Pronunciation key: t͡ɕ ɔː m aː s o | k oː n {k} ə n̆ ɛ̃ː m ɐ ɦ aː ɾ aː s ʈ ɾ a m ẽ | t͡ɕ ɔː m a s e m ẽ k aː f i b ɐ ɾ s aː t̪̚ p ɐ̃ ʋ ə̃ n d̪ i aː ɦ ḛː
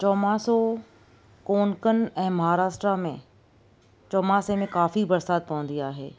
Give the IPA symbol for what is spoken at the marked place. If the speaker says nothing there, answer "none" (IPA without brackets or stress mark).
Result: k